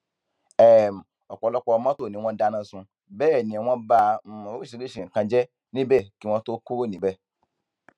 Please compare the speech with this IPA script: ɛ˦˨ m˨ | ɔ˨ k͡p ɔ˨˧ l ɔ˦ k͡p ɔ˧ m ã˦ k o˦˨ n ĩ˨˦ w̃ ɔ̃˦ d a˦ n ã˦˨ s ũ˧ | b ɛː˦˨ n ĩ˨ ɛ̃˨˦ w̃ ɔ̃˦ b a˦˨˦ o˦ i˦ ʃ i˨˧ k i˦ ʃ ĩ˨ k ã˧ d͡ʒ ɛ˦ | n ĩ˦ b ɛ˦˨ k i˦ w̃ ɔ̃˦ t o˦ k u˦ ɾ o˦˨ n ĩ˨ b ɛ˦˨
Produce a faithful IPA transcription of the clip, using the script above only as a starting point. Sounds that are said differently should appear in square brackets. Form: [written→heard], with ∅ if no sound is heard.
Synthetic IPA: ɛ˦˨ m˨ | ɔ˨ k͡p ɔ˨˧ l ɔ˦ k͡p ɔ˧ m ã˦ [k→t] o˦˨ n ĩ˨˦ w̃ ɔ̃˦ d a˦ n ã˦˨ s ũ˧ | b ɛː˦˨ n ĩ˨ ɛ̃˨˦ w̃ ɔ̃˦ b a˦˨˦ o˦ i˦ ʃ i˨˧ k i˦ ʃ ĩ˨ k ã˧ d͡ʒ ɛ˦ | n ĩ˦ b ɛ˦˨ k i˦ w̃ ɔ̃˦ t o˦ k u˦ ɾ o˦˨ n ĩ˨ b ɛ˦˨